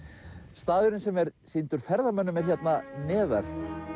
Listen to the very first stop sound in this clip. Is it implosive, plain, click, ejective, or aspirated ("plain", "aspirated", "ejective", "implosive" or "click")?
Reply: plain